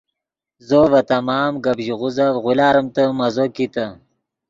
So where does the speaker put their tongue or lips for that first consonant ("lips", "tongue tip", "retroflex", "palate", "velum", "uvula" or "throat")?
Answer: tongue tip